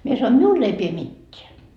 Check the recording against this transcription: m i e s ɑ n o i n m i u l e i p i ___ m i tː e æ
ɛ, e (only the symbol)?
e